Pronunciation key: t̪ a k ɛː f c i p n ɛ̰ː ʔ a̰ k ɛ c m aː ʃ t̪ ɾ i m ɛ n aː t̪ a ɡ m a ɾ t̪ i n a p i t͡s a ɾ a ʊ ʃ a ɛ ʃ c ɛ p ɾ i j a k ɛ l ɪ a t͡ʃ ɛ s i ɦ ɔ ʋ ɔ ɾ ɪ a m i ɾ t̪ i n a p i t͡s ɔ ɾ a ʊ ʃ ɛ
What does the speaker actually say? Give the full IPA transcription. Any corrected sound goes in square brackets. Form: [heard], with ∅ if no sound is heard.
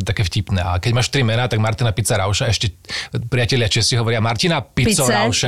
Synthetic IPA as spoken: t̪ a k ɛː f c i p n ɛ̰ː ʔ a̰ k ɛ [ɟ] m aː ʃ t̪ ɾ i m ɛ n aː t̪ a ɡ m a ɾ t̪ i n a p i t͡s a ɾ a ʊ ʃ a ɛ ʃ c ɛ p ɾ i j a [c] ɛ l ɪ a t͡ʃ ɛ s i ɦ ɔ ʋ ɔ ɾ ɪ a m [a] ɾ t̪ i n a p i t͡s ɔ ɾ a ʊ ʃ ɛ